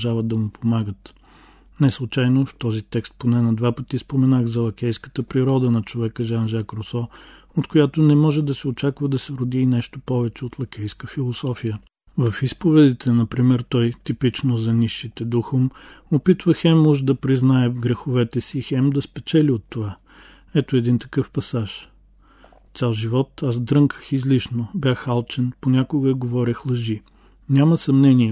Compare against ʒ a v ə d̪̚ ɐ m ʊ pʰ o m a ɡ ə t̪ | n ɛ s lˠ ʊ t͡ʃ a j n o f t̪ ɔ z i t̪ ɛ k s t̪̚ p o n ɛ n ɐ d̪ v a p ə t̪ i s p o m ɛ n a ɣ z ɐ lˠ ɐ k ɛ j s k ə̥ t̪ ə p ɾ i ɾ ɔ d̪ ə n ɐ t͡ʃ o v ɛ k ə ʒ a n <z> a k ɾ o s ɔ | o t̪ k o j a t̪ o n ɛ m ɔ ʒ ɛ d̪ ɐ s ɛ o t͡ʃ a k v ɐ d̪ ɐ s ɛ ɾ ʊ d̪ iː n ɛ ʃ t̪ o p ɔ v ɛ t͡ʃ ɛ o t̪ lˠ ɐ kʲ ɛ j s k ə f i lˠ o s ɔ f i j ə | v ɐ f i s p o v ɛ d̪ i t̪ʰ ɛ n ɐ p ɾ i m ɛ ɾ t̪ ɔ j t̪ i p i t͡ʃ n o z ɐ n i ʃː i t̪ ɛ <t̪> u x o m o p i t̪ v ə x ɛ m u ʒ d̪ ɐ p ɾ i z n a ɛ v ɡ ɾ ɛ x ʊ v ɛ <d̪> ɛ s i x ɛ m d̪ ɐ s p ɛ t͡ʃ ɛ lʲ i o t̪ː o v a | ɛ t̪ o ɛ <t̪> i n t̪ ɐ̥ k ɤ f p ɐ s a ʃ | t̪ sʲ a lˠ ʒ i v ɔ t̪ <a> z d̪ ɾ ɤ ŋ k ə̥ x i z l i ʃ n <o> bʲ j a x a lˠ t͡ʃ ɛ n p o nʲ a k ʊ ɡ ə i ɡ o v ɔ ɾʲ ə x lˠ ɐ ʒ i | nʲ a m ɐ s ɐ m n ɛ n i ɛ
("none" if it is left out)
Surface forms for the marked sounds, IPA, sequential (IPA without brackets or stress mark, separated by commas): ʒ, d̪, t̪, d̪, a, o